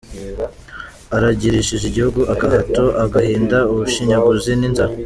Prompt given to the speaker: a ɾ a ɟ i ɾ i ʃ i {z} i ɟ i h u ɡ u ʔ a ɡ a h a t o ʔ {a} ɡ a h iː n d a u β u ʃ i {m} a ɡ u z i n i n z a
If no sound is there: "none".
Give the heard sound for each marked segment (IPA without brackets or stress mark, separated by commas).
ʒ, a, ɲ